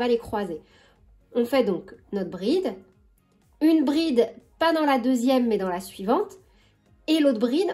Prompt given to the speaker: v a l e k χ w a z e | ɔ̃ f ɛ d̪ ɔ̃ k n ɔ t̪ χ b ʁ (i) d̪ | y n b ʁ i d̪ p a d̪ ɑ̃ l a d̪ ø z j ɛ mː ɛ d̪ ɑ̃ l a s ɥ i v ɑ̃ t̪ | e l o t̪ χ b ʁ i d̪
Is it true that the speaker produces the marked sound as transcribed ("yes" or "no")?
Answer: yes